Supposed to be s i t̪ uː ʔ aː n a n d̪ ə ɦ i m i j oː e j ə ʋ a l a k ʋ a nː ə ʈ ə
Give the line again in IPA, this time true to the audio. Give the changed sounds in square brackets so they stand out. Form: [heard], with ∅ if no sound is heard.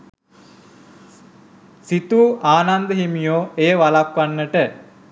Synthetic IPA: s i t̪ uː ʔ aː n a n d̪ ə ɦ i m i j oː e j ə ʋ a l a k ʋ a nː ə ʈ ə